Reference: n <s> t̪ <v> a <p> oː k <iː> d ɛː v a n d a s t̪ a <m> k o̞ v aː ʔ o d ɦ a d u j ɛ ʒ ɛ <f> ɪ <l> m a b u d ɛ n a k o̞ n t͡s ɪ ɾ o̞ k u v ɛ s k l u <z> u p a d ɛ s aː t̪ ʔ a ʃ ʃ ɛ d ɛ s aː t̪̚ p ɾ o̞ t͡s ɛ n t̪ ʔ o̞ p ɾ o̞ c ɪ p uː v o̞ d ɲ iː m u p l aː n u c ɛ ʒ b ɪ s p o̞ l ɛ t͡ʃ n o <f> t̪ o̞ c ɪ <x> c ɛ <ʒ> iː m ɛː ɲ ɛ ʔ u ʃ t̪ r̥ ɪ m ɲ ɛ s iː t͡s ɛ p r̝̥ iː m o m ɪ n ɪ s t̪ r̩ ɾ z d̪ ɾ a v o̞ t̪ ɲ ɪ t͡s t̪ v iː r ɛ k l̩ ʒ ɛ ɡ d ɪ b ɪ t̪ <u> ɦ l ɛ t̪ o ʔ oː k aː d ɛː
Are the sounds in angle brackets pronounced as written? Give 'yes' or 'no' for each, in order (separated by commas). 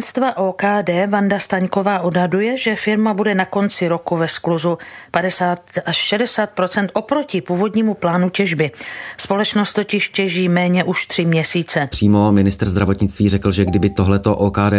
yes, yes, no, no, no, yes, no, yes, no, no, yes, no